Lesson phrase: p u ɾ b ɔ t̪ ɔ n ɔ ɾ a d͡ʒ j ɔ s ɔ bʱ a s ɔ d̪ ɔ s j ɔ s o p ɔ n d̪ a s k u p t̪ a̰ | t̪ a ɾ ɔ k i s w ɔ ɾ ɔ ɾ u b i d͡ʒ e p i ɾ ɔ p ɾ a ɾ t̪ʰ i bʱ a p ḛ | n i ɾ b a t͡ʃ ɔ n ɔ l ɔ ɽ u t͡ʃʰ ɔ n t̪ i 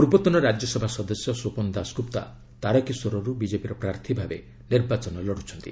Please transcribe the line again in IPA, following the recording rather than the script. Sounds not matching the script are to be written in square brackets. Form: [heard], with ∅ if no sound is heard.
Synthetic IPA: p u ɾ b ɔ t̪ ɔ n ɔ ɾ a d͡ʒ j ɔ s ɔ bʱ a s ɔ d̪ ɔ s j ɔ s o p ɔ n d̪ a s k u p t̪ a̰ | t̪ a ɾ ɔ k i s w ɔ ɾ ɔ ɾ u b i d͡ʒ e p i ɾ ɔ p ɾ a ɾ t̪ʰ i bʱ a [b] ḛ | n i ɾ b a t͡ʃ ɔ n ɔ l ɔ ɽ u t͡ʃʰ ɔ n t̪ i